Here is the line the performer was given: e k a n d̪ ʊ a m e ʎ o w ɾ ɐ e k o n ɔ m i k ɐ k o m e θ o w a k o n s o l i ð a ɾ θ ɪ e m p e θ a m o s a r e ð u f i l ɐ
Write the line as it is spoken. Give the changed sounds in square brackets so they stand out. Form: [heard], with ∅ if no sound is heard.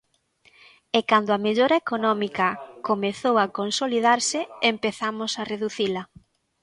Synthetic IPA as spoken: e k a n d̪ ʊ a m e ʎ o [∅] ɾ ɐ e k o n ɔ m i k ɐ k o m e θ o w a k o n s o l i ð a ɾ [s] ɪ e m p e θ a m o s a r e ð u [θ] i l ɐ